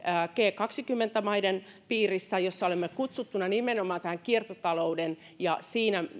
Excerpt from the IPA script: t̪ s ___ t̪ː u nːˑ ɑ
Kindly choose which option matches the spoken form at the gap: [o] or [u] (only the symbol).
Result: u